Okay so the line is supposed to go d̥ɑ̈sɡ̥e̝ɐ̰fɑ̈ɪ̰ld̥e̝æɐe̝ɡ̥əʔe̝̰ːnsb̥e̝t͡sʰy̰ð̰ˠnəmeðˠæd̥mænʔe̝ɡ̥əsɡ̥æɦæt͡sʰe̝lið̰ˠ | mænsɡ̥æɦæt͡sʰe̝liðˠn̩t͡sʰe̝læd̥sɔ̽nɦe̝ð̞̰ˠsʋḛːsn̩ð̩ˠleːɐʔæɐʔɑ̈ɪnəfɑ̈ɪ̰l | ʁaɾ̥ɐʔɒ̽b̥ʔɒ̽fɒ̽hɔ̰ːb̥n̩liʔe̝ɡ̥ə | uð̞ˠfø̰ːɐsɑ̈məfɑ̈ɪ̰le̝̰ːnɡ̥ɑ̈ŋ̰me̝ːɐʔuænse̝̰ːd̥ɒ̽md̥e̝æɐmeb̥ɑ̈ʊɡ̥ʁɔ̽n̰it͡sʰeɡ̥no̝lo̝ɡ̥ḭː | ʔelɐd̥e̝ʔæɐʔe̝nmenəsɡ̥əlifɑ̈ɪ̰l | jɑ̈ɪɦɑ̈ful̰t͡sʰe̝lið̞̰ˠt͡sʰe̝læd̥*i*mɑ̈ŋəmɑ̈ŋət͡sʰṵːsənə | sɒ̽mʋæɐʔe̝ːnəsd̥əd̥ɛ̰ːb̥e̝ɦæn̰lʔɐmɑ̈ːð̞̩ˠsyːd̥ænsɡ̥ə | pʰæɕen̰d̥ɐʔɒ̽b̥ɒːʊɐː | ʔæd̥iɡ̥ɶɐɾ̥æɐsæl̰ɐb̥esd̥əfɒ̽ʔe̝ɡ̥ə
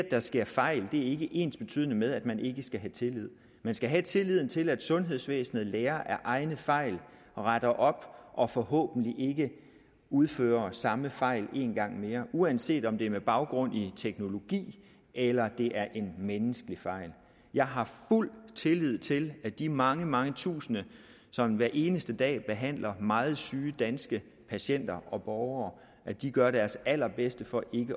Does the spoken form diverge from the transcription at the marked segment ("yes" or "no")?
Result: no